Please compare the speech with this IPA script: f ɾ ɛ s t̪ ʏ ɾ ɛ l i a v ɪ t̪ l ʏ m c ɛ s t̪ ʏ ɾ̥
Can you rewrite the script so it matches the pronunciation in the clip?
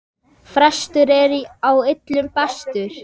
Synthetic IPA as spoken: f ɾ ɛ s t̪ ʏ ɾ ɛ ɾ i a w ɪ t̪ l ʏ m p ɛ s t̪ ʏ ɾ̥